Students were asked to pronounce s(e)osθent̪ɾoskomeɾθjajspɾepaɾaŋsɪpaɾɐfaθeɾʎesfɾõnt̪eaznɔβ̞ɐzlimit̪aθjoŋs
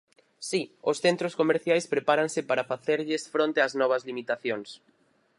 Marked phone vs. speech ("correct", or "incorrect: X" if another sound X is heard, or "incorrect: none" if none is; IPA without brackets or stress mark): incorrect: i